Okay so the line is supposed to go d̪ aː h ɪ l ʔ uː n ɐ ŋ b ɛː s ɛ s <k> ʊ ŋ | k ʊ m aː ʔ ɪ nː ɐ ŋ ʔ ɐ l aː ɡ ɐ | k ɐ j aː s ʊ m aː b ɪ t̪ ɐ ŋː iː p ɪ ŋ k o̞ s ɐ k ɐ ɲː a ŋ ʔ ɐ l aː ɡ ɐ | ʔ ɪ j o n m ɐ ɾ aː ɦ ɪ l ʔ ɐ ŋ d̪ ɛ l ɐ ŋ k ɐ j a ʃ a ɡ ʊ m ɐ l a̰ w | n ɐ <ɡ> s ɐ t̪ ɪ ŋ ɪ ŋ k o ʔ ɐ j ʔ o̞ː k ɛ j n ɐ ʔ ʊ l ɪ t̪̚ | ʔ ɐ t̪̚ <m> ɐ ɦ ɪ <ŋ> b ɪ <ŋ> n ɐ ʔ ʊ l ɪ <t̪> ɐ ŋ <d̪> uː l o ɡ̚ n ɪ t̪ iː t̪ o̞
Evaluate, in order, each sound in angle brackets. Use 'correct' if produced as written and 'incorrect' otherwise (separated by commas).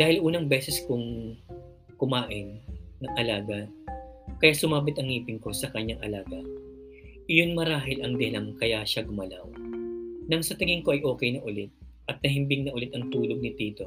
correct, incorrect, incorrect, incorrect, correct, correct, incorrect